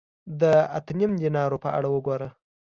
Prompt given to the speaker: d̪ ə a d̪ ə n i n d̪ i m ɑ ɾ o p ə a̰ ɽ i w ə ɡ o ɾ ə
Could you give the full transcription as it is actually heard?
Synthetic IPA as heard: d̪ ə a t̪ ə n i m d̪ i n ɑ ɾ o p ə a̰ ɽ a w ə ɡ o ɾ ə